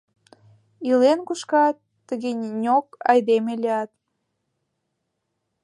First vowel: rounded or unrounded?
unrounded